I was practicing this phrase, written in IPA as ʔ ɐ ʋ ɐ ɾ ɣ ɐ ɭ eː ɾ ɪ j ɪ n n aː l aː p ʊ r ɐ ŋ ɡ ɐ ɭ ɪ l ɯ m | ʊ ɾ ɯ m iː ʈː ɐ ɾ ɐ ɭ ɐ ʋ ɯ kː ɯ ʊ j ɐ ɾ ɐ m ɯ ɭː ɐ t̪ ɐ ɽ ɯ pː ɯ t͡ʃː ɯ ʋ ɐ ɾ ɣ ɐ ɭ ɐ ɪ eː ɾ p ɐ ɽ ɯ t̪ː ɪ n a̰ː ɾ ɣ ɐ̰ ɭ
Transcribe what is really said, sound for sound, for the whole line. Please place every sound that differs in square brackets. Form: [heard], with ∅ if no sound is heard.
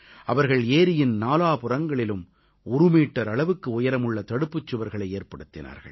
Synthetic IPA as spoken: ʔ ɐ ʋ ɐ ɾ ɣ ɐ ɭ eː ɾ ɪ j ɪ n n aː l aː p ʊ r ɐ ŋ ɡ ɐ ɭ ɪ l ɯ m | ʊ ɾ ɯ m iː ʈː ɐ ɾ ɐ ɭ ɐ ʋ ɯ kː ɯ ʊ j ɐ ɾ ɐ m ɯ ɭː ɐ t̪ ɐ ɽ ɯ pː ɯ t͡ʃː ɯ ʋ ɐ ɾ ɣ ɐ ɭ ɐ ɪ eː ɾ p ɐ ɽ ɯ t̪ː ɪ n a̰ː ɾ ɣ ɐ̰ ɭ